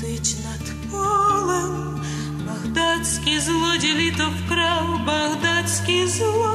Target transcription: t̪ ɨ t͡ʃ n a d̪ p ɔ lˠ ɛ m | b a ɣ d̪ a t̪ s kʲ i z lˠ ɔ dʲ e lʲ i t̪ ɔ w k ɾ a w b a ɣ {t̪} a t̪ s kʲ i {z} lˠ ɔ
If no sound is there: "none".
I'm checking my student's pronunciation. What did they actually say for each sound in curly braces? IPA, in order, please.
d̪, z

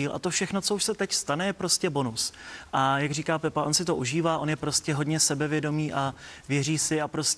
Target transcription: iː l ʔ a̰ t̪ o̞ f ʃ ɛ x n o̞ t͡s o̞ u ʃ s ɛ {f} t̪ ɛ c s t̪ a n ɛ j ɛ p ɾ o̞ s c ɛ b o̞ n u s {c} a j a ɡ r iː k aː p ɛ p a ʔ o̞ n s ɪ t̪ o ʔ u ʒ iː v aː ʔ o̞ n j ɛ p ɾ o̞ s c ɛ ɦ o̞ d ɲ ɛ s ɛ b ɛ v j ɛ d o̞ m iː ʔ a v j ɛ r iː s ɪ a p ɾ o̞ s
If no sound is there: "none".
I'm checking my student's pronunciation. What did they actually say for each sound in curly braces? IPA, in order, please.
none, ʔ

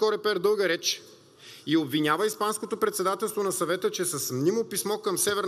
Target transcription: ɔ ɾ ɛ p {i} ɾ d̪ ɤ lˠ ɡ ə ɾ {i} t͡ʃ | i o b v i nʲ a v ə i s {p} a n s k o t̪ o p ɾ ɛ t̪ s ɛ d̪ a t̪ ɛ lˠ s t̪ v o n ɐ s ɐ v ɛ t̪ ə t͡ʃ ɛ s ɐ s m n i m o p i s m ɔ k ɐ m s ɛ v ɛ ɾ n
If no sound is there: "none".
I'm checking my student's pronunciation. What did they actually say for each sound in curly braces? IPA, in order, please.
ɛ, ɛ, p

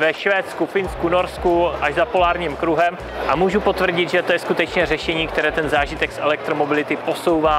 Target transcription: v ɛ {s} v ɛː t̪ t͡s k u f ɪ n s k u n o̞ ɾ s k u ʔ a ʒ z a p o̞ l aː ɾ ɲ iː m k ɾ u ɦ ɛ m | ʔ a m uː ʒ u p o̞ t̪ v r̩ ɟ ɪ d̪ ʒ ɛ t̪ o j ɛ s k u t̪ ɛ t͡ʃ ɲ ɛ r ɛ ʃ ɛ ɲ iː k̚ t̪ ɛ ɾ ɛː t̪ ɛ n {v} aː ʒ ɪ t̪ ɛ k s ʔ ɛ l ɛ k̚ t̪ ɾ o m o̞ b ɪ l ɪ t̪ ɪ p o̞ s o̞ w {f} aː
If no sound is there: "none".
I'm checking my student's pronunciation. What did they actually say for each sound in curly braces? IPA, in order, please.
ʃ, z, v

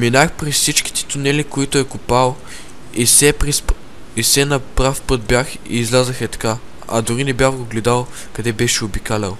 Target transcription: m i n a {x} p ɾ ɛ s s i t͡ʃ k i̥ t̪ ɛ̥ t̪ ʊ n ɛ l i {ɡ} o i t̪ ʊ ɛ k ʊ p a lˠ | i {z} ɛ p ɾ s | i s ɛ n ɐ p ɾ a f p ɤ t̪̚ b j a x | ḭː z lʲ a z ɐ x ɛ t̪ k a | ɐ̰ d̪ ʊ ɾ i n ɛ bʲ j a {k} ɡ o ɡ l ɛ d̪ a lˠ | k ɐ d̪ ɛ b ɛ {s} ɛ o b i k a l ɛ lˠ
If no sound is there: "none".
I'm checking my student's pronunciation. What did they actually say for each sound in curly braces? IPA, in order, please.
x, k, s, x, ʃ

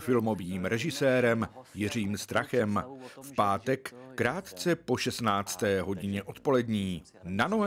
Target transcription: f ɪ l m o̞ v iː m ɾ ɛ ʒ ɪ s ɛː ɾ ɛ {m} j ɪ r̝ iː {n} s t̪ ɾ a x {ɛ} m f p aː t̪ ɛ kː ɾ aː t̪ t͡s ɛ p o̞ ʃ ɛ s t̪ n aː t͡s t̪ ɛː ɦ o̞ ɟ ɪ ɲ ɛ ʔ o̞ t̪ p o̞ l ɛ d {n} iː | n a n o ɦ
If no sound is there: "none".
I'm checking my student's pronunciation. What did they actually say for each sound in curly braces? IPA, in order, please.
m, m, ɛ, ɲ

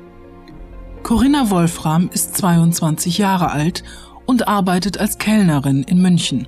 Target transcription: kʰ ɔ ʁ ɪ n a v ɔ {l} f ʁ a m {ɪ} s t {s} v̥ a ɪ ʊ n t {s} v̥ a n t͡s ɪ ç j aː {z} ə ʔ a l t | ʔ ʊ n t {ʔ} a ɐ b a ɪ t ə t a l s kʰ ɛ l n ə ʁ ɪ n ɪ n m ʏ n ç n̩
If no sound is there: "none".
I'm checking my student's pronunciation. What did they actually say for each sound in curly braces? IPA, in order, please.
l, ɪ, t͡s, t͡s, ʁ, ʔ

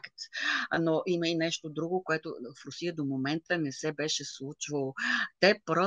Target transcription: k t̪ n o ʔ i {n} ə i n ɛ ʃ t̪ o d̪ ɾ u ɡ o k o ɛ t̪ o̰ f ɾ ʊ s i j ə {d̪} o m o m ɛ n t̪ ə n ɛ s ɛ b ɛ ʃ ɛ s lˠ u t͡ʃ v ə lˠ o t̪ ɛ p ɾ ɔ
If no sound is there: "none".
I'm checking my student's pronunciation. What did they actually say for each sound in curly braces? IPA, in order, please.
m, d̪

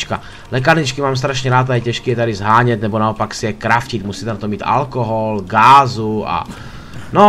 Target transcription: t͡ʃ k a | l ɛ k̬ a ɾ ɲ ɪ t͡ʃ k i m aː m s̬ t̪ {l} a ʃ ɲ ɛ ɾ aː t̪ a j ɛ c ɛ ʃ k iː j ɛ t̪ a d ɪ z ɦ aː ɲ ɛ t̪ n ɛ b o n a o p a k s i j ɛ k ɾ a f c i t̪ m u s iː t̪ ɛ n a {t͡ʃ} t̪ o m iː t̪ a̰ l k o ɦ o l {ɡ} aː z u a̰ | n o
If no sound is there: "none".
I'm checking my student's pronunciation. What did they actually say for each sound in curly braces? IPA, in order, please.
ɾ, none, ɡ

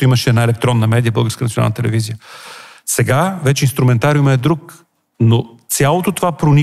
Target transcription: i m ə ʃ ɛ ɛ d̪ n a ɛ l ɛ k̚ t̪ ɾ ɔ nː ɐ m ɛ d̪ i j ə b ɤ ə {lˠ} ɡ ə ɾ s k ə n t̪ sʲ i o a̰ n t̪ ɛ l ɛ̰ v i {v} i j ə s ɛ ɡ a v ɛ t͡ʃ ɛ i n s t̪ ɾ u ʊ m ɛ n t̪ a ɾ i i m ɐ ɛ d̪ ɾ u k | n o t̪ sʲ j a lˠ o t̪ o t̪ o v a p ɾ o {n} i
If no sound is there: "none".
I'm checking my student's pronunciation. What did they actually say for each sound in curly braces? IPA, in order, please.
lˠ, z, n

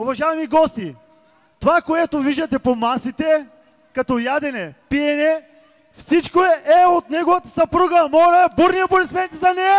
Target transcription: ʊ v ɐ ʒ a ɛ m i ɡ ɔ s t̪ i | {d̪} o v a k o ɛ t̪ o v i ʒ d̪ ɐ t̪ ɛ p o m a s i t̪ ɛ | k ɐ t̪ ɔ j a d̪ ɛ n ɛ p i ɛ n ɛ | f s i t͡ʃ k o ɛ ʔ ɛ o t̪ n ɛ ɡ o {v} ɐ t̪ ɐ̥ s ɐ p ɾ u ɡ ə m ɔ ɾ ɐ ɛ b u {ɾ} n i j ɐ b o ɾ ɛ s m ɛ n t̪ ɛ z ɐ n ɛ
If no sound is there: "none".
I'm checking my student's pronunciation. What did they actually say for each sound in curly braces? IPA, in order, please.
t̪, v, ɾ

